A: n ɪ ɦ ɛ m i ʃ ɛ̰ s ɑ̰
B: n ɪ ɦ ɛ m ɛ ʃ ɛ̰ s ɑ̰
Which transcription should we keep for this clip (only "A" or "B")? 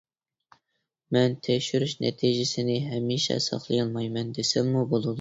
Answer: A